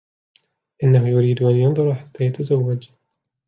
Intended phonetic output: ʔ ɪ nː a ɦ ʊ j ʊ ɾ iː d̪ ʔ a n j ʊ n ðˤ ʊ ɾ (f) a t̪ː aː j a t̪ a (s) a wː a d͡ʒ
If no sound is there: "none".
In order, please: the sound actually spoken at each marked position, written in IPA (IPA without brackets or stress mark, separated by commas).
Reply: ħ, z